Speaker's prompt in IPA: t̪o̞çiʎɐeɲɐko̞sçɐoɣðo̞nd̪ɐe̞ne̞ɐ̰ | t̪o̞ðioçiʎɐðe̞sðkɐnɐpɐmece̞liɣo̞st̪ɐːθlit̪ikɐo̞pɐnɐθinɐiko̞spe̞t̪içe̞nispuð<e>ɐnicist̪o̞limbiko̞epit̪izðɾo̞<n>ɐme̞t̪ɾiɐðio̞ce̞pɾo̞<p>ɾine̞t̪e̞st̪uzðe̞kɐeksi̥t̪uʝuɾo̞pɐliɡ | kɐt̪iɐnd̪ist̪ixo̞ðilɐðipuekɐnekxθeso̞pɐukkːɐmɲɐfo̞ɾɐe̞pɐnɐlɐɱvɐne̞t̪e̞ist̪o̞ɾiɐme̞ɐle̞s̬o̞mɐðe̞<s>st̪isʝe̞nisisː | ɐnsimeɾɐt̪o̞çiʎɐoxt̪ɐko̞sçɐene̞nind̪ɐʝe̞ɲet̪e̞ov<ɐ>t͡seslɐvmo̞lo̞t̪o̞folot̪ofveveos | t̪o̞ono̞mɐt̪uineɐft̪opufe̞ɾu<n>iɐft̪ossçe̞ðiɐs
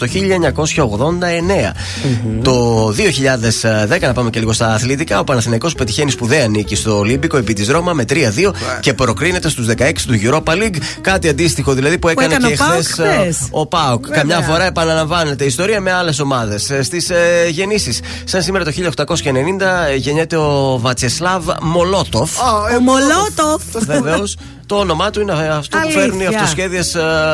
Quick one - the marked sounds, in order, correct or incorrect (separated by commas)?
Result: correct, incorrect, incorrect, correct, correct, correct